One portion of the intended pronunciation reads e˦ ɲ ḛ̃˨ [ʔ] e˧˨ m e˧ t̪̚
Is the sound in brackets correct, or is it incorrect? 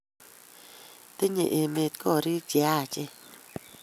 correct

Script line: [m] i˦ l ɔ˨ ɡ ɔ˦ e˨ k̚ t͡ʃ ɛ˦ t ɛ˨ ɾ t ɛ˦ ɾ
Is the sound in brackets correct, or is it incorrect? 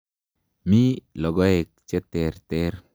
correct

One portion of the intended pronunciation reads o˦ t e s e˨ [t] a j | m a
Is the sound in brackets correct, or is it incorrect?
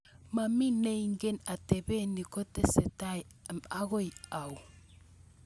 correct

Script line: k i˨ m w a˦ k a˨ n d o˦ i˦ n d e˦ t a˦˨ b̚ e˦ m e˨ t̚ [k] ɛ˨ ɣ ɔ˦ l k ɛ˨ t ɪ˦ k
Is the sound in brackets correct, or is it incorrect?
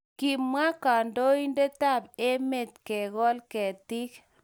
correct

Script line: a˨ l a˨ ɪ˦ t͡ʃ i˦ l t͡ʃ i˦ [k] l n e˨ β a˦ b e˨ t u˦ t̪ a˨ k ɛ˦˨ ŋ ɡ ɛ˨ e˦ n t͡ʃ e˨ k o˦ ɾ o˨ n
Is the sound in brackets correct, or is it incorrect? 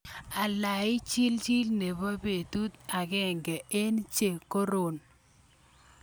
incorrect: none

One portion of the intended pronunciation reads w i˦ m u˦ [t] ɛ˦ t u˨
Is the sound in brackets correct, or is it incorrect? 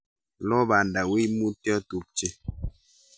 correct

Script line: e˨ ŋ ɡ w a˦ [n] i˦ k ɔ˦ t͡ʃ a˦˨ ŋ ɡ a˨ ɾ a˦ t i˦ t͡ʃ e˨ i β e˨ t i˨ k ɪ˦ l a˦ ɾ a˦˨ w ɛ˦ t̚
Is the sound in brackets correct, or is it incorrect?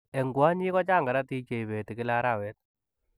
incorrect: ɲ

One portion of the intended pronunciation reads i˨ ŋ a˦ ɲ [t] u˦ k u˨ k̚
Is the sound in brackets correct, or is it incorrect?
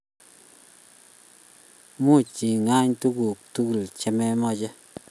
correct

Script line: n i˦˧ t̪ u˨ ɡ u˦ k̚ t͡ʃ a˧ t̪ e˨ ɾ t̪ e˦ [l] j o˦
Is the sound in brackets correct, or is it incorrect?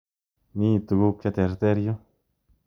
incorrect: ɾ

